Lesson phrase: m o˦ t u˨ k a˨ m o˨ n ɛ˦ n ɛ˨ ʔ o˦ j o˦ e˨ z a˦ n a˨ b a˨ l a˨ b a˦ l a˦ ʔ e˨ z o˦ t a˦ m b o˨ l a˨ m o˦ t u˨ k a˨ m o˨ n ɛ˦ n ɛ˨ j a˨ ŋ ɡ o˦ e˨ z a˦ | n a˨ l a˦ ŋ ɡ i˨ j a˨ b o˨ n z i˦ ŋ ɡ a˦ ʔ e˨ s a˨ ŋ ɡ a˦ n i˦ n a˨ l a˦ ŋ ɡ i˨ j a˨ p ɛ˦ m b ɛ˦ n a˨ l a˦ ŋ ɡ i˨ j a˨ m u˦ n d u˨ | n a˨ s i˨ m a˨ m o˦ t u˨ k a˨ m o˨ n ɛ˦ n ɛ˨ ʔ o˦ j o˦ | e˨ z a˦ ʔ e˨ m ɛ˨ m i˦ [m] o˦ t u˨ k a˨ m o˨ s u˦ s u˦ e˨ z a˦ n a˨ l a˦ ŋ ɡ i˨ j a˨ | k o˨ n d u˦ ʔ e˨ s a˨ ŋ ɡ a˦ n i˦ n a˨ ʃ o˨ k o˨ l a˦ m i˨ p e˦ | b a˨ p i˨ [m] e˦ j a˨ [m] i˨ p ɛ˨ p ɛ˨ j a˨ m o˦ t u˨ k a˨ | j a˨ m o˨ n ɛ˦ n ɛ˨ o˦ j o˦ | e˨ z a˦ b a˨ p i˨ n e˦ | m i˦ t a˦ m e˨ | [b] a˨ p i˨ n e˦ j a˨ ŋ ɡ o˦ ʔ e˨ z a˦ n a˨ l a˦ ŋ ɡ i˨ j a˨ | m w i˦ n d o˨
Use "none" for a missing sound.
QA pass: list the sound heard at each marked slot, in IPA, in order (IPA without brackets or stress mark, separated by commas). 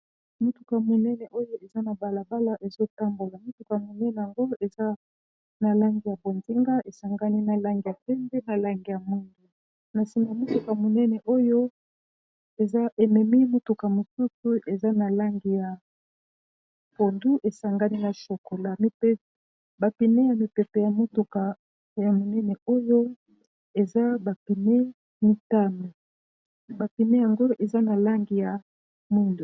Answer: m, n, m, b